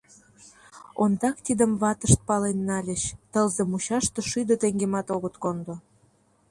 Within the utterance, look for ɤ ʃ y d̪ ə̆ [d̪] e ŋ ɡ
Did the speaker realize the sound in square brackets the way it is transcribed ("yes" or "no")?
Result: no